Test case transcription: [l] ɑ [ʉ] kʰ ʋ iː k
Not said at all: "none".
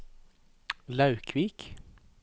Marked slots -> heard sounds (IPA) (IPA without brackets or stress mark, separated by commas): l, ʉ